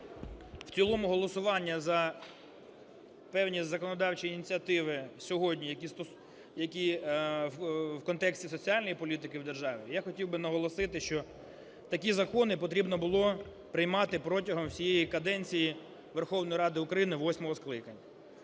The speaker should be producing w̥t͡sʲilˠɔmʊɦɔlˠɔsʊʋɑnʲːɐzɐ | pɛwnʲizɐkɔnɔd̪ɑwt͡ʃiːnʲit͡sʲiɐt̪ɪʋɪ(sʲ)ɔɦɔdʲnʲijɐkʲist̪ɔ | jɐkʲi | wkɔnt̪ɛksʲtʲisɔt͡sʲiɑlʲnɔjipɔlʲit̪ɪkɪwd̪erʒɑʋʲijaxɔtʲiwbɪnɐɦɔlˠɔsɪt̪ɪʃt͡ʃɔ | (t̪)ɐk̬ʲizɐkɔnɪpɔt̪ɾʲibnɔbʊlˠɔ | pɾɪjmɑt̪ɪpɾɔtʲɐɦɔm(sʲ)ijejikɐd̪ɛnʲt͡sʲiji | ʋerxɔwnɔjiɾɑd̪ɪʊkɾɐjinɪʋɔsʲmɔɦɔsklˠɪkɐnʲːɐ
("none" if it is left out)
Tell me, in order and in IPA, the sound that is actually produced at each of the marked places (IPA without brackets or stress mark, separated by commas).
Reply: sʲ, t̪, sʲ